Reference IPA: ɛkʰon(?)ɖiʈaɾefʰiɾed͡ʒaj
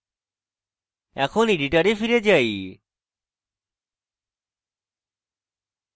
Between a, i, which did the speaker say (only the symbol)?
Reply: i